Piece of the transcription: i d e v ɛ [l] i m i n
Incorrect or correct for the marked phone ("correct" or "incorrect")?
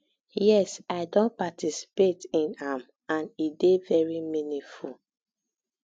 incorrect